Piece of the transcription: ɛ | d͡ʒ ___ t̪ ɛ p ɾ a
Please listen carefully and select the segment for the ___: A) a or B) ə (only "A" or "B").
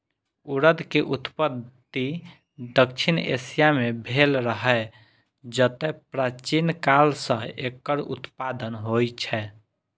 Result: B